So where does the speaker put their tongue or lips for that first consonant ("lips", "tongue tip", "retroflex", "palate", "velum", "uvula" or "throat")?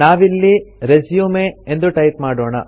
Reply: lips